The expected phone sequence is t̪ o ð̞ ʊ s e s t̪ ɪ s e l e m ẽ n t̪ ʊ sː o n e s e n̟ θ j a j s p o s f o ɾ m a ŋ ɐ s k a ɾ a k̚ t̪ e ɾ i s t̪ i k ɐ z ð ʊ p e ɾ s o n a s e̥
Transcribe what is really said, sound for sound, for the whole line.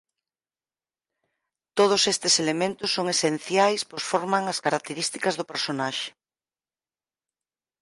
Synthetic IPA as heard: t̪ o ð̞ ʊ s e s t̪ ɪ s e l e m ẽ n t̪ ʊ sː o ŋ e s e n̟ θ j a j s p o s f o ɾ m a ŋ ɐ s k a ɾ a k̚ t̪ e ɾ i s t̪ i k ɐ z ð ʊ p e ɾ s o n a ʃ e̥